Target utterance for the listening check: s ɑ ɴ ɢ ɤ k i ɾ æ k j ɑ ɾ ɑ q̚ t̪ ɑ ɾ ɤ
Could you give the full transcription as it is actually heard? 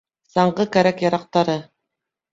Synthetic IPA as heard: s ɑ ɴ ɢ ɤ k æ ɾ æ k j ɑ ɾ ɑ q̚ t̪ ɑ ɾ ɤ